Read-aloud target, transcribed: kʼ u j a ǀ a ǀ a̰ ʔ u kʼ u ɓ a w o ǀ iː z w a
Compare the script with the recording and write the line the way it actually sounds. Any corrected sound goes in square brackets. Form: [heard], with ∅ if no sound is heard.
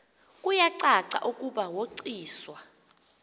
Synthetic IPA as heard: kʼ u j a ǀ a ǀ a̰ ʔ u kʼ u ɓ a w o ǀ iː [s] w a